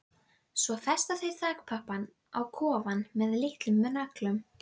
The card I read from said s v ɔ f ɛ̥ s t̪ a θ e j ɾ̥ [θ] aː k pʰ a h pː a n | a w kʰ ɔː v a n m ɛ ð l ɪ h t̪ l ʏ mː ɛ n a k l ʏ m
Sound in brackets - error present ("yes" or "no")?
no